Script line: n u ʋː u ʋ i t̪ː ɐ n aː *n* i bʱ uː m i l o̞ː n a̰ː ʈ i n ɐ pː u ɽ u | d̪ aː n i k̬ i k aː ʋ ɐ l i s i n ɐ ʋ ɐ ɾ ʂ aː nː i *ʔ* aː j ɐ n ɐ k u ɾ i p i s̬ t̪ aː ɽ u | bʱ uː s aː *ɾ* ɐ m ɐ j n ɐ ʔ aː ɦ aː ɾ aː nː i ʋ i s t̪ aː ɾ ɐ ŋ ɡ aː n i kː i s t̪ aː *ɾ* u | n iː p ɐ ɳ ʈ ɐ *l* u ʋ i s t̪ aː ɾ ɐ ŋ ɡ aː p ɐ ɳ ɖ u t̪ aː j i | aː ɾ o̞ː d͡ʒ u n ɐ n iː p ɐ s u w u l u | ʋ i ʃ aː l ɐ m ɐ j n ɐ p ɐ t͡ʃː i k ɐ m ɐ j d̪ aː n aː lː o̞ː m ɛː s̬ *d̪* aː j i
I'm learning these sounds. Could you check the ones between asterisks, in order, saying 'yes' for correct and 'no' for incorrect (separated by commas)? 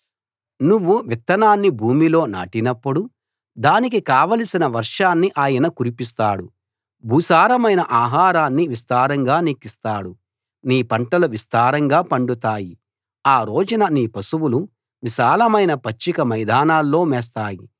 no, yes, yes, no, yes, no